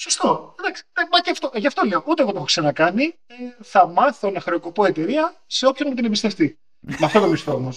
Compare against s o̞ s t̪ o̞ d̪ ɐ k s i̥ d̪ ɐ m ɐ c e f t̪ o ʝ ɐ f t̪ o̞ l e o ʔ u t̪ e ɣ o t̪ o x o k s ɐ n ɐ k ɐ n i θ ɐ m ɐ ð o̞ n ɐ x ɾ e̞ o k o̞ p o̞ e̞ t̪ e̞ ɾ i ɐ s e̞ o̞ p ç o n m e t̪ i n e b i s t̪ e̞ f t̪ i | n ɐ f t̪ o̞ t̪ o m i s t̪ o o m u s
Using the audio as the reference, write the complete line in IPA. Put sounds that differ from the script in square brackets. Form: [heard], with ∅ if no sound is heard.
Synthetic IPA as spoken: s o̞ s t̪ o̞ d̪ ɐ k s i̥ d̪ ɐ m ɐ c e f t̪ o ʝ ɐ f t̪ o̞ l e o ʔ u t̪ e ɣ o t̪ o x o k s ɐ n ɐ k ɐ n i θ ɐ m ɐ [θ] o̞ n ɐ x ɾ e̞ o k o̞ p o̞ e̞ t̪ e̞ ɾ i ɐ s e̞ o̞ p ç o n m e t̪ i n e b i s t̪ e̞ f t̪ i | [m] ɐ f t̪ o̞ t̪ o m i s t̪ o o m [o] s